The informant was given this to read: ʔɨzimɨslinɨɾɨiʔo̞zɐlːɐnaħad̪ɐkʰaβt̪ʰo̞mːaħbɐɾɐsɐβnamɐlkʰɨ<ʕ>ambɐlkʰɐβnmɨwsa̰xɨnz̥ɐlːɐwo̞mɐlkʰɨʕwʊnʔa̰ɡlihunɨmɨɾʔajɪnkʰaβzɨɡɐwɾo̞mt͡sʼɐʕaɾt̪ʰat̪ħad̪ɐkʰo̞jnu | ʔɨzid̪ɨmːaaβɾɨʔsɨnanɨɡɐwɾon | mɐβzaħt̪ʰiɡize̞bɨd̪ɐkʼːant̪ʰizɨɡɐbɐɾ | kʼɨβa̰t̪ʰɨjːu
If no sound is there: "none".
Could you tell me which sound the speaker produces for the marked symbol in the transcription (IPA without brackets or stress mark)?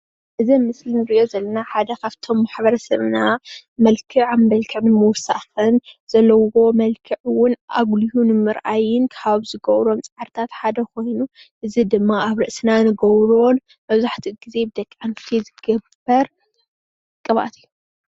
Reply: ʕ